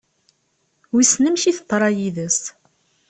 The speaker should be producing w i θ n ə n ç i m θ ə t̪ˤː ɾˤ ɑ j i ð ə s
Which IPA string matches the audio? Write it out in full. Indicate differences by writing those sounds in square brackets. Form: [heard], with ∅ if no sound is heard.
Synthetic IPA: w i [s] n ə [m] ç i [∅] θ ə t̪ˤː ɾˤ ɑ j i ð ə s

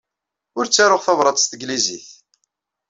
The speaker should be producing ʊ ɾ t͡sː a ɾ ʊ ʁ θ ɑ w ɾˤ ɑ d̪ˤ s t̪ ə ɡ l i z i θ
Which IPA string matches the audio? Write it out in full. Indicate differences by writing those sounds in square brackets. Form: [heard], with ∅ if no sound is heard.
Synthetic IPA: ʊ ɾ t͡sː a ɾ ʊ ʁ θ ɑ [v] ɾˤ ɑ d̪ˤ s t̪ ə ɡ l i z i θ

